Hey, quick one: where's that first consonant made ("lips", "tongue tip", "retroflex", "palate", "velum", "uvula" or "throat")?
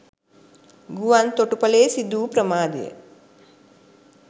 velum